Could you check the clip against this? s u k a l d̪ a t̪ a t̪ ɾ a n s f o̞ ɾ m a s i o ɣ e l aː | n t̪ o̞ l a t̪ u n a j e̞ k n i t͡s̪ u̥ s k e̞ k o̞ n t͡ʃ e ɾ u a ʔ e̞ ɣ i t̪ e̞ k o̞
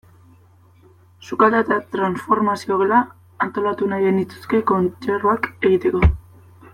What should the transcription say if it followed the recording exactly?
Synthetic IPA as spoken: s u k a l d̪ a t̪ a t̪ ɾ a n s f o̞ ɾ m a s i o ɣ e l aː | n t̪ o̞ l a t̪ u n a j e̞ n i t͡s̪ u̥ s k e̞ k o̞ n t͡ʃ e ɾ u a k e̞ ɣ i t̪ e̞ k o̞

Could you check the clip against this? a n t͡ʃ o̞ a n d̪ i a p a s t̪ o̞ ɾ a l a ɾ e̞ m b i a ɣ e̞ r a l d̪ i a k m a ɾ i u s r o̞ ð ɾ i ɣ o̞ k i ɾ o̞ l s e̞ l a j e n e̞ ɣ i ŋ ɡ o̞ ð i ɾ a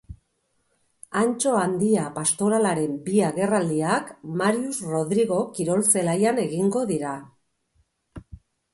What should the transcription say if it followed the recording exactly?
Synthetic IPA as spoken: a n t͡ʃ o̞ a n d̪ i a p a s t̪ o̞ ɾ a l a ɾ e̞ m b i a ɣ e̞ r a l d̪ i a k m a ɾ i u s r o̞ ð ɾ i ɣ o̞ k i ɾ o̞ l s e̞ l a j a n e̞ ɣ i ŋ ɡ o̞ ð i ɾ a

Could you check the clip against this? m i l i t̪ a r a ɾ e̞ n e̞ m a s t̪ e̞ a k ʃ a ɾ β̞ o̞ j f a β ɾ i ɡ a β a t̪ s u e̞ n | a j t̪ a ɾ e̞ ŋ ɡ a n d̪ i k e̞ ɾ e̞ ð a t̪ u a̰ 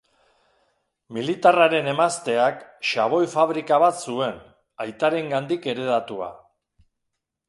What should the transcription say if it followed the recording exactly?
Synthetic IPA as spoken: m i l i t̪ a r a ɾ e̞ n e̞ m a s t̪ e̞ a k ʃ a β̞ o̞ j f a β ɾ i k a β a t̪ s u e̞ n | a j t̪ a ɾ e̞ ŋ ɡ a n d̪ i k e̞ ɾ e̞ ð a t̪ u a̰

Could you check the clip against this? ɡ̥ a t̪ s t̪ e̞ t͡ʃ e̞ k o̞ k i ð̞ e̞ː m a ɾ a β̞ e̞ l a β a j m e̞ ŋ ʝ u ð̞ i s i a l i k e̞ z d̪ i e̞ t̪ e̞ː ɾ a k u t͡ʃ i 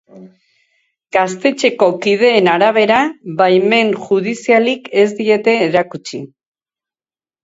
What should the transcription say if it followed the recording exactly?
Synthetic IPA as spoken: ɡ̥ a s t̪ e̞ t͡ʃ e̞ k o̞ k i ð̞ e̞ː n a ɾ a β̞ e̞ ɾ a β a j m e̞ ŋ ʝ u ð̞ i s i a l i k e̞ z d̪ i e̞ t̪ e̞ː ɾ a k u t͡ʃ i

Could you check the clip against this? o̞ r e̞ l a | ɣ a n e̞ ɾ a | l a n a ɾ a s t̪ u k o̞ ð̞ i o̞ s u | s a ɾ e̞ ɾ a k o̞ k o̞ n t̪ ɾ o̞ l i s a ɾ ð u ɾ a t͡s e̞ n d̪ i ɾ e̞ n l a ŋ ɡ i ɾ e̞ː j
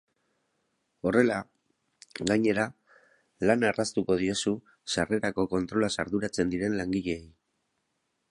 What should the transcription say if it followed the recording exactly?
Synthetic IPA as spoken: o̞ r e̞ l a | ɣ a ɲ e̞ ɾ a | l a n a r a s t̪ u k o̞ ð̞ i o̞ s u | s a r e̞ ɾ a k o̞ k o̞ n t̪ ɾ o̞ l a s a ɾ ð u ɾ a t͡s e̞ n d̪ i ɾ e̞ n l a ŋ ɡ i ʎ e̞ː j

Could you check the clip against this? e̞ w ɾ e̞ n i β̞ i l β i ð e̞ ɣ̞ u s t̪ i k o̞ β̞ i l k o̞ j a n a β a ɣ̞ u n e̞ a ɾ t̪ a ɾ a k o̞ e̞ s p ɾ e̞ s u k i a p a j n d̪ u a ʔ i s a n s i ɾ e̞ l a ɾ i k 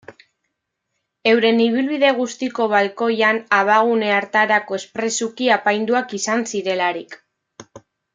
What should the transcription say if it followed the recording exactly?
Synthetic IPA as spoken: e̞ w ɾ e̞ n i β̞ i l β i ð e̞ ɣ̞ u s t̪ i k o̞ β̞ a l k o̞ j a n a β a ɣ̞ u n e̞ a ɾ t̪ a ɾ a k o̞ e̞ s p ɾ e̞ s u k i a p a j n d̪ u a k i s a n s i ɾ e̞ l a ɾ i k

